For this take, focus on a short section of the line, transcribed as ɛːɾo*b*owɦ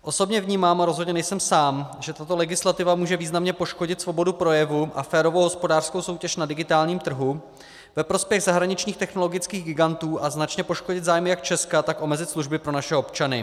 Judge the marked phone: incorrect: v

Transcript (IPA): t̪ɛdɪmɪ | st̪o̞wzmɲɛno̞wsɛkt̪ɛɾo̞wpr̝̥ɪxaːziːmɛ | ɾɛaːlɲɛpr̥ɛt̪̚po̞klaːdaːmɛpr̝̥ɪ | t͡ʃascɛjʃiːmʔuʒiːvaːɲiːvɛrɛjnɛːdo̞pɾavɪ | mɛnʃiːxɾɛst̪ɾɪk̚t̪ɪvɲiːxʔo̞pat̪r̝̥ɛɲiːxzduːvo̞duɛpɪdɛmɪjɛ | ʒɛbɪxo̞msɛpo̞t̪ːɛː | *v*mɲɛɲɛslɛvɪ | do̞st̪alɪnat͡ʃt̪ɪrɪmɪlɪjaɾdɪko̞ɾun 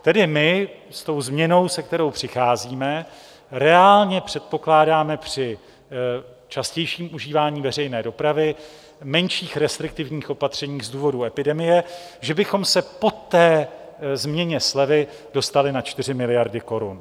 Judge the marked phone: incorrect: z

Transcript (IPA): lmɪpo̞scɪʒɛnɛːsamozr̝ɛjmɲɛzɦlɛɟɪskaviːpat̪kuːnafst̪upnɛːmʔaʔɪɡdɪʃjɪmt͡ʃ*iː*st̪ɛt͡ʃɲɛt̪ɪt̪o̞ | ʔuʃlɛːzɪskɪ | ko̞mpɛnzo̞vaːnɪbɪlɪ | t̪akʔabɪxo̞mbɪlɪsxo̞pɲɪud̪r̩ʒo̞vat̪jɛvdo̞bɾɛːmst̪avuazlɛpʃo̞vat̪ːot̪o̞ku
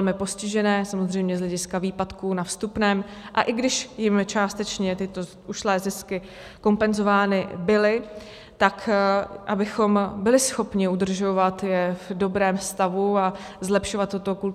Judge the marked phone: incorrect: aː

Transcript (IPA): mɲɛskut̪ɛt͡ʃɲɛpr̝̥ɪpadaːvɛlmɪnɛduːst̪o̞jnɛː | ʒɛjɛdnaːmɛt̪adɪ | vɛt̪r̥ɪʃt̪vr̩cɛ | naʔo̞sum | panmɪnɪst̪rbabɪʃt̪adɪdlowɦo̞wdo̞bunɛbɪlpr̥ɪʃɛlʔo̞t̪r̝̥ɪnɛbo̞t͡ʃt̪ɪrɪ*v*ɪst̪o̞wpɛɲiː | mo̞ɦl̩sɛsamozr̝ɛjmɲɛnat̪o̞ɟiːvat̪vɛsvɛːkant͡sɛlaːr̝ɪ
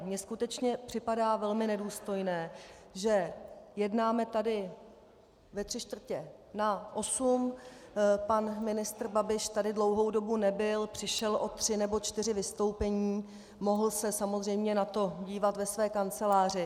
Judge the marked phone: correct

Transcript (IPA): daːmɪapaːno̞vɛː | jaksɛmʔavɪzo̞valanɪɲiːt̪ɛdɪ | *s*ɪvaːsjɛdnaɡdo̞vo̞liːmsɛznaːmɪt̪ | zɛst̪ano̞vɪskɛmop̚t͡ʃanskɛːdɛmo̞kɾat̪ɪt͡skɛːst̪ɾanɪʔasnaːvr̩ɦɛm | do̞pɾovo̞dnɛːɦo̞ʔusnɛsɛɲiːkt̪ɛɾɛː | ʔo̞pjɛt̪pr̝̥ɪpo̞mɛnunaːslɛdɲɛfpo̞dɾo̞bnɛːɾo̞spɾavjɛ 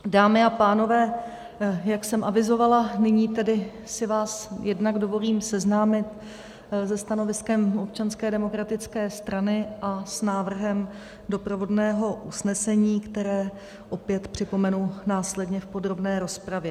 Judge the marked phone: correct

